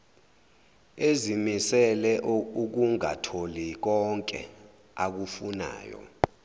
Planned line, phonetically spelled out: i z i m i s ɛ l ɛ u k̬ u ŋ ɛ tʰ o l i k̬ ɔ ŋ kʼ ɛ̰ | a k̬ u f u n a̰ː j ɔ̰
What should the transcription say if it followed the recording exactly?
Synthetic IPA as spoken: e z i m i s ɛ l ɛ u k̬ u ŋ a tʰ o l i k̬ ɔ ŋ kʼ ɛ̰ | a k̬ u f u n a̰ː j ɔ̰